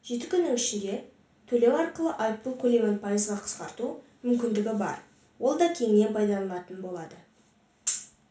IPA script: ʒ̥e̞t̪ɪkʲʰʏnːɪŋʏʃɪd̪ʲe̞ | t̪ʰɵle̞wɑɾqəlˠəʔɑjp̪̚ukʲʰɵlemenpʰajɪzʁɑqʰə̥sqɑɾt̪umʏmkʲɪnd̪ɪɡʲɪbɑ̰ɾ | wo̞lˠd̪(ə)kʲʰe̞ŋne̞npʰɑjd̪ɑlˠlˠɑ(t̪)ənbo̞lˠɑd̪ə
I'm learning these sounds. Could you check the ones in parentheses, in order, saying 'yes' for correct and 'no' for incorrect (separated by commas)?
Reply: no, yes